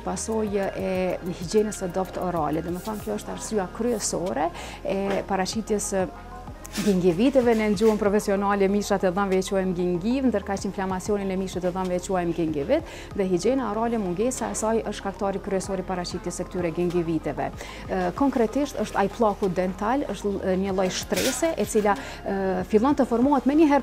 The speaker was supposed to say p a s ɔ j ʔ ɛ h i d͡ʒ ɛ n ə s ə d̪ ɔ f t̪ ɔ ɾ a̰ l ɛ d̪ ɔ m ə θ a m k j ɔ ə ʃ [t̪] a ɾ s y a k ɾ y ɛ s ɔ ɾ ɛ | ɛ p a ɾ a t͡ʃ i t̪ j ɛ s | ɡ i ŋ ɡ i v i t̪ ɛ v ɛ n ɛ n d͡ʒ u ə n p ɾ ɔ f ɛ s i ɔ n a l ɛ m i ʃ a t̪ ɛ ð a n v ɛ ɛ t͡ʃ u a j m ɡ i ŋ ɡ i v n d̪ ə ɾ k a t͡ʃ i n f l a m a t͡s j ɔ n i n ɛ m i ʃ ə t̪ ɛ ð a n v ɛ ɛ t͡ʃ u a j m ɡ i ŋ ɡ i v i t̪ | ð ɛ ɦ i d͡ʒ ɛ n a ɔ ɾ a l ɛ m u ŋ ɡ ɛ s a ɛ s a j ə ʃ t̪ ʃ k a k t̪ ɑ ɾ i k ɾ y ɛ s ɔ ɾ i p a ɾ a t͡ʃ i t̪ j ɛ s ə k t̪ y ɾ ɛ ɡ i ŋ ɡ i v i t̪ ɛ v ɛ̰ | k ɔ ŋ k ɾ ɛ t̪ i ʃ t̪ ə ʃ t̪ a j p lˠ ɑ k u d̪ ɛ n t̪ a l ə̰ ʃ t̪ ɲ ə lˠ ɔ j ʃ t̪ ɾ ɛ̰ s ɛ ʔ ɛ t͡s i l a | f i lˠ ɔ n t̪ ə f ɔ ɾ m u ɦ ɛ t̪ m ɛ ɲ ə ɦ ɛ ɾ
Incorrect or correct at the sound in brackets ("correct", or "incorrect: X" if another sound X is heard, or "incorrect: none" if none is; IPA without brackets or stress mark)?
correct